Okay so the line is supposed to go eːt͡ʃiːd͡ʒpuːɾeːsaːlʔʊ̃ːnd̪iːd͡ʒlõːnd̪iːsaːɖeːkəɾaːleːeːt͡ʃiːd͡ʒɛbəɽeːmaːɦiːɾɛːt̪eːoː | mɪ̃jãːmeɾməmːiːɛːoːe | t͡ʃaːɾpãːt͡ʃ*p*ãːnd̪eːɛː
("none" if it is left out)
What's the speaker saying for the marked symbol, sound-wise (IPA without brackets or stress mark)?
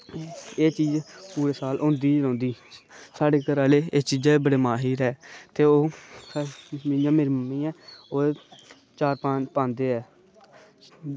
p